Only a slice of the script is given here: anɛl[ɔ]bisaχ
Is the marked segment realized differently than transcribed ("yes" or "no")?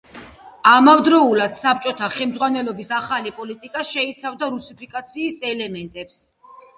no